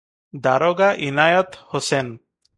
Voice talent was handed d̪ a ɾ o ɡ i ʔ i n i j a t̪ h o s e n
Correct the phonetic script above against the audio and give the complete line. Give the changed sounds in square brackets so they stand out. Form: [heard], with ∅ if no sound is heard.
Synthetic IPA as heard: d̪ a ɾ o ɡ [a] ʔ i n [a] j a t̪ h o s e n